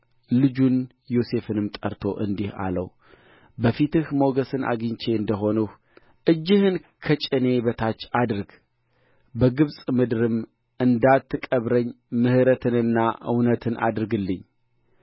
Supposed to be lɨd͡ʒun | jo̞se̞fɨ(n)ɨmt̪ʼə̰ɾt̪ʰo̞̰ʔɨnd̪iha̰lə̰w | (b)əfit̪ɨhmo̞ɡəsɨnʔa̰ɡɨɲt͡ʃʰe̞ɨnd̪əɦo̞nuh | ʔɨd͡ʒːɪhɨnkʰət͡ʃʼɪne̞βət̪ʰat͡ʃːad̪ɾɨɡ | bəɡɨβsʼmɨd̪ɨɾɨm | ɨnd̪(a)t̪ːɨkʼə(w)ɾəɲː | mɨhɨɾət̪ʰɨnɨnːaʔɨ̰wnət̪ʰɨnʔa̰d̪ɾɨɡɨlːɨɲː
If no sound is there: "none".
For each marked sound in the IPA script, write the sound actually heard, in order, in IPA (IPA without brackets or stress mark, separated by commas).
n, b, a, β